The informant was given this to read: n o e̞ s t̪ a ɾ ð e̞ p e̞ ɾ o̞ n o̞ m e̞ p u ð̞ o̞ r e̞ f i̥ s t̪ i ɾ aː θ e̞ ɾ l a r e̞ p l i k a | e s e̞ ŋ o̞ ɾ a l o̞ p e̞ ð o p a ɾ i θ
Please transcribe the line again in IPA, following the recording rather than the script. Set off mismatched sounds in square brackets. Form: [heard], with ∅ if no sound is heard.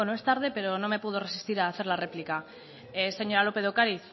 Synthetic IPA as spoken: n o e̞ s t̪ a ɾ ð e̞ p e̞ ɾ o̞ n o̞ m e̞ p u ð̞ o̞ r e̞ [s] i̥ s t̪ i ɾ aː θ e̞ ɾ l a r e̞ p l i k a | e s e̞ [ɲ] o̞ ɾ a l o̞ p e̞ ð o [k] a ɾ i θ